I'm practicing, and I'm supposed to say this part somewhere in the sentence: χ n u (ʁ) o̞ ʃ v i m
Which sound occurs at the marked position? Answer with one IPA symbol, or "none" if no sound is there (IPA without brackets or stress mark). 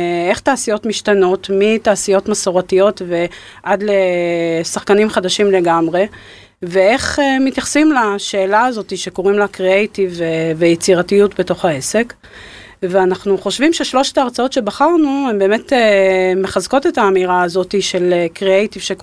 χ